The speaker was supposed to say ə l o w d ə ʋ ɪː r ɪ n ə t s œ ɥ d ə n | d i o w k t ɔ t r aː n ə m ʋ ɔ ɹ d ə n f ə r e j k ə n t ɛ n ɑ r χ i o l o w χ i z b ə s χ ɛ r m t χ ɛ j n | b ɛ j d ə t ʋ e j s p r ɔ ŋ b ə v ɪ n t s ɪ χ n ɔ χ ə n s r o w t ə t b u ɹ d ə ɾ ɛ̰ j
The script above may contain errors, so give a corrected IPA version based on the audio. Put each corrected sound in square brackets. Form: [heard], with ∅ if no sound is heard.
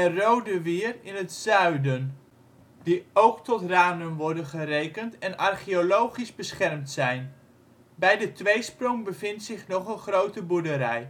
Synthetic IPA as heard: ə [r] o w d ə ʋ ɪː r ɪ n ə t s œ ɥ d ə n | d i o w k t ɔ t r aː n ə m ʋ ɔ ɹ d ə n [χ] ə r e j k ə n t ɛ n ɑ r χ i o l o w χ i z b ə s χ ɛ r m t [s] ɛ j n | b ɛ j d ə t ʋ e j s p r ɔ ŋ b ə v ɪ n t s ɪ χ n ɔ χ ə n [χ] r o w t ə [∅] b u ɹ d ə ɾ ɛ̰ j